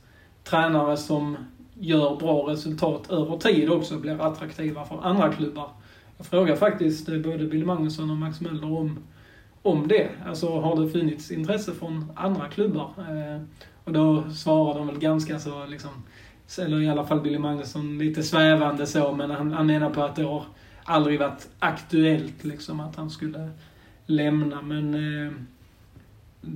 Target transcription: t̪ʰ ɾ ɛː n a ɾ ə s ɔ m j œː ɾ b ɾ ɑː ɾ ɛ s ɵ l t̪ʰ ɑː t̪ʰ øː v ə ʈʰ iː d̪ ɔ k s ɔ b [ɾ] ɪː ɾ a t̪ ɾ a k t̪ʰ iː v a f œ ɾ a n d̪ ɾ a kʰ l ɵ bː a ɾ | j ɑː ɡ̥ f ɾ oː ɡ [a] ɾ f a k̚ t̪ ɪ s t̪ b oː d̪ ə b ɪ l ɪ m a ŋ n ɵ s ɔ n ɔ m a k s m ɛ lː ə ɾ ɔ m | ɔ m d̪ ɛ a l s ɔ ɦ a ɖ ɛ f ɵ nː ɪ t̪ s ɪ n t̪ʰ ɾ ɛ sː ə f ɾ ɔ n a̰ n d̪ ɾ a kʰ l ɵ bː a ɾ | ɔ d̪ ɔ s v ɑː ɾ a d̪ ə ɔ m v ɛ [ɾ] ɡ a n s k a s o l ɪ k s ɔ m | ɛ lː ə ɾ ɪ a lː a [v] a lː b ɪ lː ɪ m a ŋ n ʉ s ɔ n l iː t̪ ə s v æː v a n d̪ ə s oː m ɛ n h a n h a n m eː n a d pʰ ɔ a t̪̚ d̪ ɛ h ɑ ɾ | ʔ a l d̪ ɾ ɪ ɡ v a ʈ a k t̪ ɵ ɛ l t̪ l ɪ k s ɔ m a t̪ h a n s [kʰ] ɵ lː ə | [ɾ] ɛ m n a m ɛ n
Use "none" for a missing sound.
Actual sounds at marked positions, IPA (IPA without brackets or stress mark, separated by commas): l, a, l, f, k, l